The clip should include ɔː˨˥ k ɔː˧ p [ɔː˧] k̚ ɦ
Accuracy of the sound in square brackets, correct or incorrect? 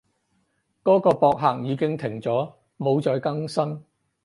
correct